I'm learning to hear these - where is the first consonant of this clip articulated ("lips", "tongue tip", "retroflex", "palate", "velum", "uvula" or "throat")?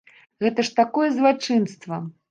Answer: velum